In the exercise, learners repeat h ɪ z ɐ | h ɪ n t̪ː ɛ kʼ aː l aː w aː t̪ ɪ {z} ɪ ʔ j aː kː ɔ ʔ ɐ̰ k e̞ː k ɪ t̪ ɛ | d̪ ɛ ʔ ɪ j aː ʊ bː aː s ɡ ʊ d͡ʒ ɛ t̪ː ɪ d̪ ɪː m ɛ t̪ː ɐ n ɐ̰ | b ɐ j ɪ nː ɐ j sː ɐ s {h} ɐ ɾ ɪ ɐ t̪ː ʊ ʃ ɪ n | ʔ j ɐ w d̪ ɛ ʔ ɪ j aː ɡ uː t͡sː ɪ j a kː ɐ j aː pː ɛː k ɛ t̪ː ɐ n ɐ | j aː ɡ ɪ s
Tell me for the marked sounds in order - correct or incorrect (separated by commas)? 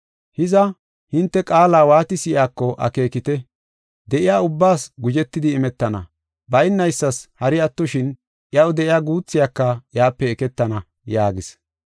incorrect, correct